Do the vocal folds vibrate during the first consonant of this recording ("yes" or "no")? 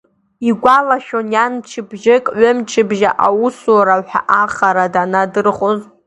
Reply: yes